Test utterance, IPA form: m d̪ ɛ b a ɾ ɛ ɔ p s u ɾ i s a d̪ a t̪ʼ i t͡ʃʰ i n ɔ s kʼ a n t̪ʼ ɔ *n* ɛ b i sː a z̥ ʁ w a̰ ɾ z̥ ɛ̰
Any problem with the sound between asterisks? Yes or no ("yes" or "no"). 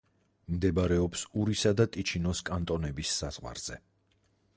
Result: no